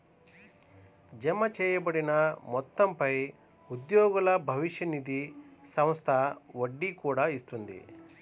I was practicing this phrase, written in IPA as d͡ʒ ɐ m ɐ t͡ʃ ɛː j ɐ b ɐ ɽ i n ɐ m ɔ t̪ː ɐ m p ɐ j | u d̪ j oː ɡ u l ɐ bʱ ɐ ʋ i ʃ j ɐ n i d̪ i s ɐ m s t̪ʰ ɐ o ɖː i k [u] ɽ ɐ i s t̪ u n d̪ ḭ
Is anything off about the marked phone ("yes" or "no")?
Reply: yes